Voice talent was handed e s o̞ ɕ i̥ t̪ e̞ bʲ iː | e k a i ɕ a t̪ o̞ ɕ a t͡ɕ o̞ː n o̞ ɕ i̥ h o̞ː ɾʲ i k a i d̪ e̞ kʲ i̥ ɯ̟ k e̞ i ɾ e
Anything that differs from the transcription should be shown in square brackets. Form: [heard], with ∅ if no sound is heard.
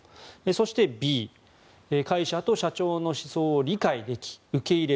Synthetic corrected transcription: e s o̞ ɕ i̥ t̪ e̞ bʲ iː | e k a i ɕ a t̪ o̞ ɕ a t͡ɕ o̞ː n o̞ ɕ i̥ [s] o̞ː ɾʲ i k a i d̪ e̞ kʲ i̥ ɯ̟ k e̞ i ɾ e